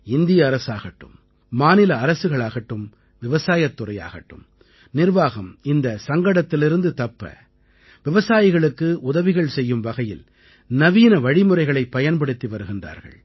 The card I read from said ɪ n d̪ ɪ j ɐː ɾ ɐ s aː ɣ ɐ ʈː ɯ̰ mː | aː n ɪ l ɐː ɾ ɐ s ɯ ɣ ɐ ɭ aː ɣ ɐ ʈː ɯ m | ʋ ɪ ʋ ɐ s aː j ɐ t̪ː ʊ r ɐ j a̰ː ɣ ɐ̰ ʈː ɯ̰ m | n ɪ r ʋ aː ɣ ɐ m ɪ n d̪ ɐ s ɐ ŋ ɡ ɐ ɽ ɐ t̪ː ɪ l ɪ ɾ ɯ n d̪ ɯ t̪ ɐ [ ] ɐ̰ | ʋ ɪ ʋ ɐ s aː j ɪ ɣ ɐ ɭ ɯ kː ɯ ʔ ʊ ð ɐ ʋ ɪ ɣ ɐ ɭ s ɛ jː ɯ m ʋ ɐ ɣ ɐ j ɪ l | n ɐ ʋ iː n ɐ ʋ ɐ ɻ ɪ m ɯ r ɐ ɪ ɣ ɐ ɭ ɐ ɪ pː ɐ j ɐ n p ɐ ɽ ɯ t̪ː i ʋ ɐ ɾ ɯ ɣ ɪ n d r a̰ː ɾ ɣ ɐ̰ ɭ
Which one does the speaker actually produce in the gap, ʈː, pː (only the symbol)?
pː